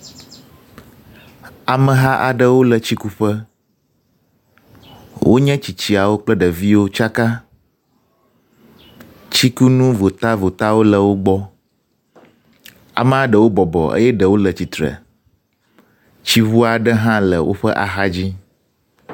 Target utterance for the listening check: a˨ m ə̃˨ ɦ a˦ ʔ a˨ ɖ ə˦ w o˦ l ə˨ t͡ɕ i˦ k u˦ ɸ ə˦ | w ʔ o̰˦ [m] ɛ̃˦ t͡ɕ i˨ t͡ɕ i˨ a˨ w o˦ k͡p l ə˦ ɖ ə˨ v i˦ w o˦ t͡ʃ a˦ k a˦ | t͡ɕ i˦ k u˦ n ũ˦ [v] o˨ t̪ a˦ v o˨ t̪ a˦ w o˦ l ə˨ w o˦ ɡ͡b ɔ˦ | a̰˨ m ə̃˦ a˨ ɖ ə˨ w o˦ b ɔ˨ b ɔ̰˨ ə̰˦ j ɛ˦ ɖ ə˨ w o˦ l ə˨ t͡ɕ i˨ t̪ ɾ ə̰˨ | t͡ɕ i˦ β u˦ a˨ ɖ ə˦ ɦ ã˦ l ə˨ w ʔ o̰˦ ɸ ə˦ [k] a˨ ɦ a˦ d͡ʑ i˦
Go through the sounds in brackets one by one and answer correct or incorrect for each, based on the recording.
incorrect, correct, incorrect

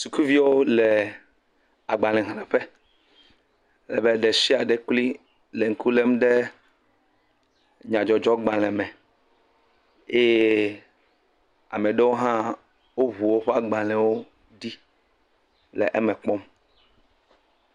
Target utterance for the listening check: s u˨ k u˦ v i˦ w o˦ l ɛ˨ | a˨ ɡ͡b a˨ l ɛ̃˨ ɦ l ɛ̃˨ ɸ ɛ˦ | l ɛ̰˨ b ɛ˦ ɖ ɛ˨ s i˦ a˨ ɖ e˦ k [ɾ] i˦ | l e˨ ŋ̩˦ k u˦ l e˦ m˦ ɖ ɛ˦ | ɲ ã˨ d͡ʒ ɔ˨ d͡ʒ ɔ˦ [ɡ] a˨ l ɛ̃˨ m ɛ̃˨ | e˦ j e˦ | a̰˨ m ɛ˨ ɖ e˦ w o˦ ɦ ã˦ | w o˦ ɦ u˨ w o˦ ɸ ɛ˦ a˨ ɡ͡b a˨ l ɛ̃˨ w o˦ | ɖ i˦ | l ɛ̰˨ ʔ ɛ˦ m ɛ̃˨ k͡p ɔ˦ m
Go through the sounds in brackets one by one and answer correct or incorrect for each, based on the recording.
incorrect, incorrect

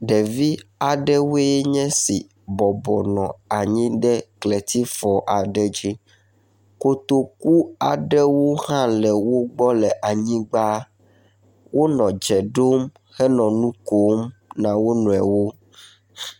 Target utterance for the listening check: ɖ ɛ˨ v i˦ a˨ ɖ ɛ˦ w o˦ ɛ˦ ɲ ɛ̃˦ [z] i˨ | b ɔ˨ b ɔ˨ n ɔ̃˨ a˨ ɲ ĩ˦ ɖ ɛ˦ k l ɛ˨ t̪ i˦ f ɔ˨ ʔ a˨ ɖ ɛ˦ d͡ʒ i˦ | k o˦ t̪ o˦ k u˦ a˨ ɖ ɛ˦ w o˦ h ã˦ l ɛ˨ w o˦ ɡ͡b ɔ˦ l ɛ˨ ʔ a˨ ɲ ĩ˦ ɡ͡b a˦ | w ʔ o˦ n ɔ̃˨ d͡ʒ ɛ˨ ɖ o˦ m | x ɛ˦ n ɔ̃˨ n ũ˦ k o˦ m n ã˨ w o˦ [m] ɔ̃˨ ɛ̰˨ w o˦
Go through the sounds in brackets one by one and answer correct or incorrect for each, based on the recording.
incorrect, incorrect

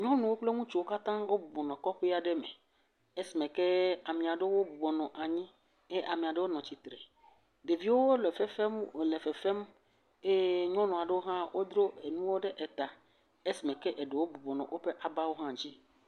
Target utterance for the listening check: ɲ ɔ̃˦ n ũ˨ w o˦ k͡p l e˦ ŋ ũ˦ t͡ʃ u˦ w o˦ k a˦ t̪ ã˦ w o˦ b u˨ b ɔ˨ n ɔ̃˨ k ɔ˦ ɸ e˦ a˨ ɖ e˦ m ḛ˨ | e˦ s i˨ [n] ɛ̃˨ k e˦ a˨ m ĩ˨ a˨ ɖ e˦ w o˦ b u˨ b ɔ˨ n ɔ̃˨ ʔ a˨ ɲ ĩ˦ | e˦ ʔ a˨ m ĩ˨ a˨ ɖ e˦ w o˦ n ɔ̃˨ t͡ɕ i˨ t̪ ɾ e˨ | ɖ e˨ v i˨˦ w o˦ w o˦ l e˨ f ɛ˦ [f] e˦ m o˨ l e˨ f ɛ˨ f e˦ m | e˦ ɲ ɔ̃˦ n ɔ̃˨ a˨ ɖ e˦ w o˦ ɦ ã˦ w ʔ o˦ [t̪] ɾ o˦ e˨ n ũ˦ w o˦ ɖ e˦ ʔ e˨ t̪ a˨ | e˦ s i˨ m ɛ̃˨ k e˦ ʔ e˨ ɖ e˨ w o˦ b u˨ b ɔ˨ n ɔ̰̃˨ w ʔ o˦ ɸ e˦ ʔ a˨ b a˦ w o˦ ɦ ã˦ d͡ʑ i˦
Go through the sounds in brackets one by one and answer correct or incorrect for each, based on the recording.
incorrect, correct, incorrect

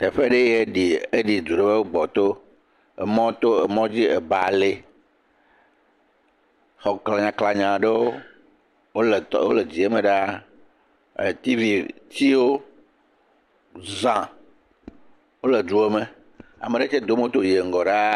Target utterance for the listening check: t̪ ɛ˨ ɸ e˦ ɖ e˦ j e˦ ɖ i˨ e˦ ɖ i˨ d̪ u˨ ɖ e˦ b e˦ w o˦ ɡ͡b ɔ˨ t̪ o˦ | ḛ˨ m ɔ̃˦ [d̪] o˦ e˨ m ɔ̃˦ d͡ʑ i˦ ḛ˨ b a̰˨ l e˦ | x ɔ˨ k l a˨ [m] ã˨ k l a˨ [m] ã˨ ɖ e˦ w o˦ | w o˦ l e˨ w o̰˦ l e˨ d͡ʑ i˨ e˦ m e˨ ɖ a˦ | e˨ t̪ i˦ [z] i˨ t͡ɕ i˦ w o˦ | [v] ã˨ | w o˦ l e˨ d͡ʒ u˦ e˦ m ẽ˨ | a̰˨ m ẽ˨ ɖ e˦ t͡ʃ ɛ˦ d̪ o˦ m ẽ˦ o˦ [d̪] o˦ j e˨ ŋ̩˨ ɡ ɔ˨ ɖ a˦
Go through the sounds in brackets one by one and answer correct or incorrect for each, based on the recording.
incorrect, incorrect, incorrect, incorrect, incorrect, incorrect

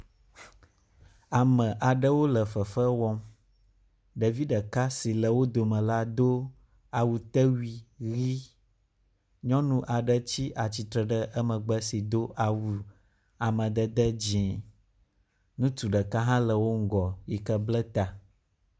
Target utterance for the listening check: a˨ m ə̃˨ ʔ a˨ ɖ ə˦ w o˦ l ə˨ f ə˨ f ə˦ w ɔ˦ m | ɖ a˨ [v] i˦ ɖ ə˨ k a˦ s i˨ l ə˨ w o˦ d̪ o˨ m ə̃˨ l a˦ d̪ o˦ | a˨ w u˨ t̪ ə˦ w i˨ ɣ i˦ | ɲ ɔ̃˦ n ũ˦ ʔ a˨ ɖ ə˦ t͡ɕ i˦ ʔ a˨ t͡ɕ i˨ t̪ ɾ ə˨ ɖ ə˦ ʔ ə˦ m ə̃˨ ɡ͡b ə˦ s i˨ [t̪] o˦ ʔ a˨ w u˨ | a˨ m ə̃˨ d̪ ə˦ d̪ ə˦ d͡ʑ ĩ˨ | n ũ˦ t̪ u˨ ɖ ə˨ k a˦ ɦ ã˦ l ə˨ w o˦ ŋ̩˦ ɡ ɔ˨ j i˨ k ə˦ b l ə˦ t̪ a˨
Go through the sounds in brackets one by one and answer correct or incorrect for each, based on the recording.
correct, incorrect

